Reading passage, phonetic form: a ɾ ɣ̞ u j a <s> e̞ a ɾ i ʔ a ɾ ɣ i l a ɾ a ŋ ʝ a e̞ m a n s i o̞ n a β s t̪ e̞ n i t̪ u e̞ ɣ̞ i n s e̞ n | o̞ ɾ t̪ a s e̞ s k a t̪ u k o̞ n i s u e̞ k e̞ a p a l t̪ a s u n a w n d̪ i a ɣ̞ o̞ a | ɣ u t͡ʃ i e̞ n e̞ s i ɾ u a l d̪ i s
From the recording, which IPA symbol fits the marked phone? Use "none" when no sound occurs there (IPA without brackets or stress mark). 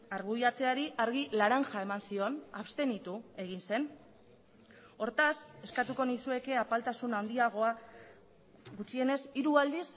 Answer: t͡s